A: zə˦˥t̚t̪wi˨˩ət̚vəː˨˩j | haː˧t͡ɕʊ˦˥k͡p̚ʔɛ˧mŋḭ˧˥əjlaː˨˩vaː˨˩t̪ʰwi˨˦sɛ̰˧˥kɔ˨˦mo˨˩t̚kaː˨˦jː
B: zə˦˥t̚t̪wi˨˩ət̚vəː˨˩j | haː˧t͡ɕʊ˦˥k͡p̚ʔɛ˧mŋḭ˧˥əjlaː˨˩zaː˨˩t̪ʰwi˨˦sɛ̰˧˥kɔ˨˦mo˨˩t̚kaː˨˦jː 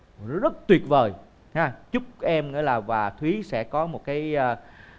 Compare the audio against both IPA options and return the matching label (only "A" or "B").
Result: A